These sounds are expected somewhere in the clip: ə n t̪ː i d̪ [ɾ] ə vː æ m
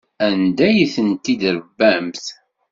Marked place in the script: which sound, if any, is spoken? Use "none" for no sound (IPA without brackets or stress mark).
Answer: ɾ